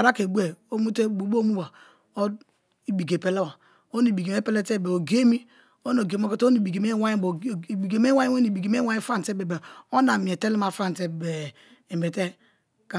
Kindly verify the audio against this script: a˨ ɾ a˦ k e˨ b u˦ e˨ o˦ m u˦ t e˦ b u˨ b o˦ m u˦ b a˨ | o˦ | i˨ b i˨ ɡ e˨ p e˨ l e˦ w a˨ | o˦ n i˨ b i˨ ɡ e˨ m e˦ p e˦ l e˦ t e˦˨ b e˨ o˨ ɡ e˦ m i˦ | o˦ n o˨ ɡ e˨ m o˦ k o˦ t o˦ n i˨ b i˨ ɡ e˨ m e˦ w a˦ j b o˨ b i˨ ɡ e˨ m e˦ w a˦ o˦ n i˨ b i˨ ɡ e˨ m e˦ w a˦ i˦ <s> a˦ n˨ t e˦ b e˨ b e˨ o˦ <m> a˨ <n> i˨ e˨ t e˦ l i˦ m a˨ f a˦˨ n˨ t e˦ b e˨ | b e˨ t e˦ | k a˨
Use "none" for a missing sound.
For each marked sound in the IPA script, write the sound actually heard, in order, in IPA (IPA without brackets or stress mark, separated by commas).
f, n, m